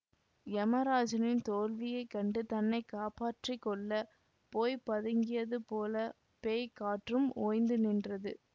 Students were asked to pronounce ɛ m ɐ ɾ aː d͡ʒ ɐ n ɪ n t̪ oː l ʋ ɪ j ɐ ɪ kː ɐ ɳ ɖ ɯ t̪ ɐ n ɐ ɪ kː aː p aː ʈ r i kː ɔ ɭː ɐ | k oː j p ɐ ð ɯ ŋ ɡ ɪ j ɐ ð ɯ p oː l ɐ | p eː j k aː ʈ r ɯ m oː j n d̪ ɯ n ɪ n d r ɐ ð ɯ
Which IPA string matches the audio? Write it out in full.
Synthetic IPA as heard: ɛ m ɐ ɾ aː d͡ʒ ɐ n ɪ n t̪ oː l ʋ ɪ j ɐ ɪ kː ɐ ɳ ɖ ɯ t̪ ɐ nː ɐ ɪ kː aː p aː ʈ r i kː ɔ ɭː ɐ | p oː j p ɐ ð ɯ ŋ ɡ ɪ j ɐ ð ɯ p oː l ɐ | p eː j k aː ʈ r ɯ m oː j n d̪ ɯ n ɪ n d r ɐ ð ɯ